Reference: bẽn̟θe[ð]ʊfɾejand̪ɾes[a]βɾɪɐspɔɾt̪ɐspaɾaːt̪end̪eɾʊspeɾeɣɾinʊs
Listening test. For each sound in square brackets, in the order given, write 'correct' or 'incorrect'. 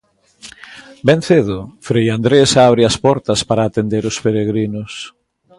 correct, correct

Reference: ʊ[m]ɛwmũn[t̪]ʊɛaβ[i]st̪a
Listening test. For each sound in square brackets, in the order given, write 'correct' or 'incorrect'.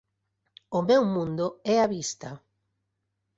correct, incorrect, correct

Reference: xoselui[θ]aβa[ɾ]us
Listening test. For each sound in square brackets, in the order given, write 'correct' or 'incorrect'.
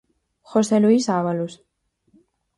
incorrect, incorrect

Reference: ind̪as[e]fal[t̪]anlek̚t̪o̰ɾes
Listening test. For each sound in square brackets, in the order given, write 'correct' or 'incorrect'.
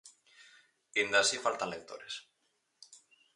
incorrect, correct

